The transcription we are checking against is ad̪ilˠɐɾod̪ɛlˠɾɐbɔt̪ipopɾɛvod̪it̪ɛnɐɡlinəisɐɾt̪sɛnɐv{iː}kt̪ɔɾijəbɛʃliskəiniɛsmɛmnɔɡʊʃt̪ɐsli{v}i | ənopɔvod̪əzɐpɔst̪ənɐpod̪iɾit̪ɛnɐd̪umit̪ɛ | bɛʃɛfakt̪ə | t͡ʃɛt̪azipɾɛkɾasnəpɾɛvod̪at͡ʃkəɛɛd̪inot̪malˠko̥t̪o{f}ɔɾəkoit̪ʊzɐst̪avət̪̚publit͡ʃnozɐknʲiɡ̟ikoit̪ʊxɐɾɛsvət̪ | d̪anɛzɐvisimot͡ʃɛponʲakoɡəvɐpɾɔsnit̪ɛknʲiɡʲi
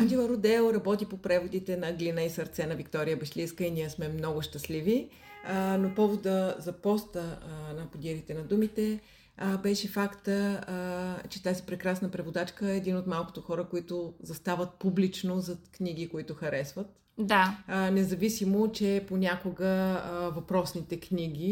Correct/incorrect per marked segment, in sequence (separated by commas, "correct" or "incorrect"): incorrect, correct, incorrect